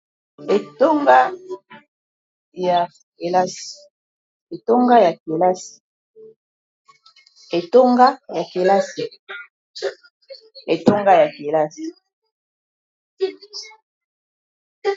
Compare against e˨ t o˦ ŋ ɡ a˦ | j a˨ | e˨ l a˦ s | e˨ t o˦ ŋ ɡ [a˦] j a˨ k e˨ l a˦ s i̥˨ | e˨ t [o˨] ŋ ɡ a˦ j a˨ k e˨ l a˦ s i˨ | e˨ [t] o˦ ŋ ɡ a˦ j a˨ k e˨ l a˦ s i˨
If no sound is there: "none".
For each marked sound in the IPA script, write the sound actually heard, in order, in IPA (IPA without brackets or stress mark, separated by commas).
a˦, o˦, t